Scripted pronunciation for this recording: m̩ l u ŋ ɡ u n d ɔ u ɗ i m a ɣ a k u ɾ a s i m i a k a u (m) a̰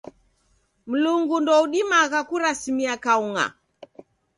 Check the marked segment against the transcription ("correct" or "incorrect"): incorrect